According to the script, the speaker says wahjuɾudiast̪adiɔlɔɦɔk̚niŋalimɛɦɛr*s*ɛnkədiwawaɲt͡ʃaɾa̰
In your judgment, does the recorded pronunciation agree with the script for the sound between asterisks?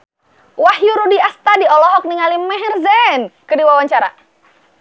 no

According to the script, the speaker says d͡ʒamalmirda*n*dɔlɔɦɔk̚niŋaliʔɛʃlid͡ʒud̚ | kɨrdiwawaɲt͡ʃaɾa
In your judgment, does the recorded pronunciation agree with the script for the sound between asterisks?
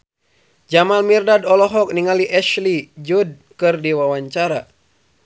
no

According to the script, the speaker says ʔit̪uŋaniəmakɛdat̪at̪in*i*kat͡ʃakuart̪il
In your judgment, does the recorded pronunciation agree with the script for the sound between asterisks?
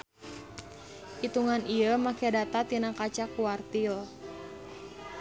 no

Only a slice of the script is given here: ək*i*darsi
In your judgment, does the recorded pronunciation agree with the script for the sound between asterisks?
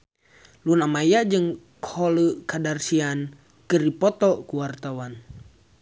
no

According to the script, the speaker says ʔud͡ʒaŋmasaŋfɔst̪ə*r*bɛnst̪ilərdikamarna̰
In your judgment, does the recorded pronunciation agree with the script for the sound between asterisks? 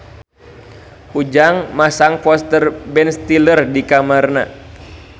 yes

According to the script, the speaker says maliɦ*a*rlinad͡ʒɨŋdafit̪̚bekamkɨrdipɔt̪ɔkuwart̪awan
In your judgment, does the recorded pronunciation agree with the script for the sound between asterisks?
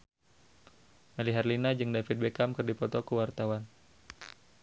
yes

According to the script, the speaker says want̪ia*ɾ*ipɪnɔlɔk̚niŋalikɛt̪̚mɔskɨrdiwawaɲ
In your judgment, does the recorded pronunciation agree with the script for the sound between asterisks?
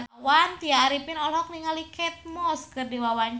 yes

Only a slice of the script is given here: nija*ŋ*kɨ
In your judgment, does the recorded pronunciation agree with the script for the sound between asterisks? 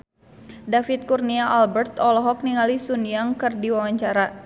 yes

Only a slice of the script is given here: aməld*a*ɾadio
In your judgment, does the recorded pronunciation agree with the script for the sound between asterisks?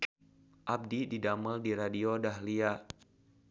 no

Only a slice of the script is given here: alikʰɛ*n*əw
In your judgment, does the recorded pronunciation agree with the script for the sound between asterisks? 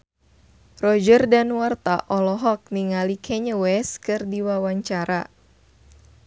no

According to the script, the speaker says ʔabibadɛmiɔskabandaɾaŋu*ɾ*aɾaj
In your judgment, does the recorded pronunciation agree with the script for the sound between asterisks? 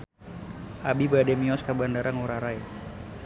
yes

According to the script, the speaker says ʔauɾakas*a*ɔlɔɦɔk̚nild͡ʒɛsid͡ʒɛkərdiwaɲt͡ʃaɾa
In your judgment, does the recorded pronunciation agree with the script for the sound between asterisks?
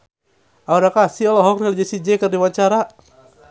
no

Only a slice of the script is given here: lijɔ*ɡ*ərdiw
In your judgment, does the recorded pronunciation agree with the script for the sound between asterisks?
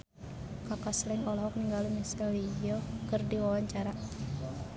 no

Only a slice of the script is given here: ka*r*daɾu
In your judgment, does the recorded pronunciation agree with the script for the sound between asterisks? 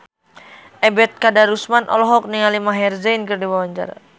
no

